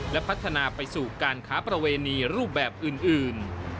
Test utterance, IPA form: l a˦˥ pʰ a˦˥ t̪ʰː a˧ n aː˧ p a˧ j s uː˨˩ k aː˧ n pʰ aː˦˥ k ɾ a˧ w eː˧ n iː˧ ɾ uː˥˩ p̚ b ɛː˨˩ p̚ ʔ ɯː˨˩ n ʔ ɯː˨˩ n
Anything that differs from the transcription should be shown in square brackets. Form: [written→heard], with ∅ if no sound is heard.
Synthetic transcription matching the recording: l [a˦˥→ɛ˦˥] pʰ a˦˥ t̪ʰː a˧ n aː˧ p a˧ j s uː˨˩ k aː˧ n [pʰ→kʰ] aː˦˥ [k→p] ɾ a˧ w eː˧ n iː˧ ɾ uː˥˩ p̚ b ɛː˨˩ p̚ ʔ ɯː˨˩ n ʔ ɯː˨˩ n